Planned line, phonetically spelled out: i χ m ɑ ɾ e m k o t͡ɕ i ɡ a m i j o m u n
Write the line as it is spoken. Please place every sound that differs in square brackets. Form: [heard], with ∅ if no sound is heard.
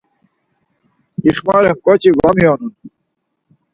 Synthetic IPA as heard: i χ m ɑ ɾ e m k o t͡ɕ i ɡ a m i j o [n] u n